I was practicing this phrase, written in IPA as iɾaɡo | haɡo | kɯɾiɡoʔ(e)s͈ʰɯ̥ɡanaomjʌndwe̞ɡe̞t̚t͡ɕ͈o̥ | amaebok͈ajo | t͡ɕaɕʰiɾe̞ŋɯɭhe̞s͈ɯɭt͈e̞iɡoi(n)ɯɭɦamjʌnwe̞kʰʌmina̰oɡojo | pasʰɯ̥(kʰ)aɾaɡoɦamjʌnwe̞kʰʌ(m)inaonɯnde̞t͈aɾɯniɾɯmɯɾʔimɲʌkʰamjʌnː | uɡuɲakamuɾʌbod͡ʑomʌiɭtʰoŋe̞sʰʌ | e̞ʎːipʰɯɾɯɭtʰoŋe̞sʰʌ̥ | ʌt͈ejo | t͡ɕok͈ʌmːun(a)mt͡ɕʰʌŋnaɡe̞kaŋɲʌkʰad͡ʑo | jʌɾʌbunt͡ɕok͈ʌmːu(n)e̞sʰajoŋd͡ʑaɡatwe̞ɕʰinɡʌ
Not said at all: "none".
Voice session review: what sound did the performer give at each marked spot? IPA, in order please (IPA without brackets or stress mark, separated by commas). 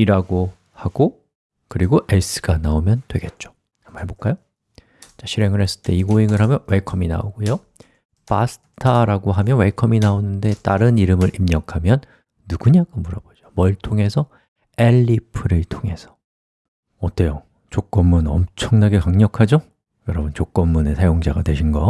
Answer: e, ŋ, tʰ, m, ʌ, n